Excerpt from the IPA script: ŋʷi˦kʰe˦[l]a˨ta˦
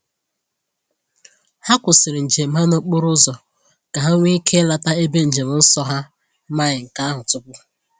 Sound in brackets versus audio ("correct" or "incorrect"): correct